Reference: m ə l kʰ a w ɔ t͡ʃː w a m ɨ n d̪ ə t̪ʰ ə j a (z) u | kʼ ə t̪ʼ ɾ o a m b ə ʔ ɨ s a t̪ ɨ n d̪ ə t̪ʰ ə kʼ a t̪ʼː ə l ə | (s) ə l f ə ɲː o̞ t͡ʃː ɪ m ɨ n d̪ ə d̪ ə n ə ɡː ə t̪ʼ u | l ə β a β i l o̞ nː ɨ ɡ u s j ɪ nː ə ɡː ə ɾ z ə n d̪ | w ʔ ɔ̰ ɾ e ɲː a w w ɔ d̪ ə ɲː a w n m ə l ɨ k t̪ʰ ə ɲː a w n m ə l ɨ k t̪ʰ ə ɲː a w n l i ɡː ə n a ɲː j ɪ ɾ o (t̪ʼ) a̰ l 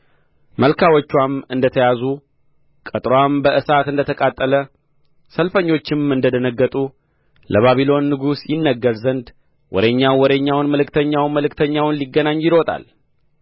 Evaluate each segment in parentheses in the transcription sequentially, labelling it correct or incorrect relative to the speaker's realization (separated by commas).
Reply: correct, correct, correct